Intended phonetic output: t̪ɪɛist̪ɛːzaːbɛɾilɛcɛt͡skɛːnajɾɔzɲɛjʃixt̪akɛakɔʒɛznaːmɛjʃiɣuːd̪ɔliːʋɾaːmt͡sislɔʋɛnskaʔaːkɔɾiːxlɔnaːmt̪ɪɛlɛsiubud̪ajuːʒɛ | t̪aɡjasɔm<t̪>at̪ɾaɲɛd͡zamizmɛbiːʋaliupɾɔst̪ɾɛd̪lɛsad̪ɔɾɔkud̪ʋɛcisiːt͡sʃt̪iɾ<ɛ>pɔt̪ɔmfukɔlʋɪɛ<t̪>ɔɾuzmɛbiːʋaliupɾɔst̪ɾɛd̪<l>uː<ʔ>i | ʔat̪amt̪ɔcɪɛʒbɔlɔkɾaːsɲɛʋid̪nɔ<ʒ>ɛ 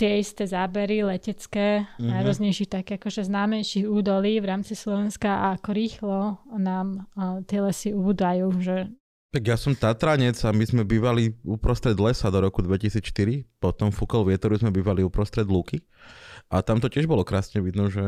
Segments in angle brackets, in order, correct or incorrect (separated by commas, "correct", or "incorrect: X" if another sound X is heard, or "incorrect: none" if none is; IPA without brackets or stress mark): correct, incorrect: i, correct, correct, incorrect: k, correct